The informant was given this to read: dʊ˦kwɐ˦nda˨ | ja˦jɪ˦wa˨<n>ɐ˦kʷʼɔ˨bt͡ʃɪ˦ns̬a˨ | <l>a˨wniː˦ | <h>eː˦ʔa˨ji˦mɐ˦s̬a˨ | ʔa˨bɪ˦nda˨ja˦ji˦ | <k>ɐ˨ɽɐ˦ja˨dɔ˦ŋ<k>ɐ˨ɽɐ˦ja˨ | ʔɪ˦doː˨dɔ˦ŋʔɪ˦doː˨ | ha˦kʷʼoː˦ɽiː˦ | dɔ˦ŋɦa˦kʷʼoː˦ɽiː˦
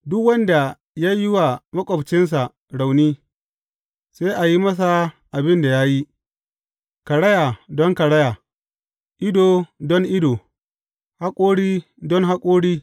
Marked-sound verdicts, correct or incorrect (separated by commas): incorrect, incorrect, incorrect, correct, correct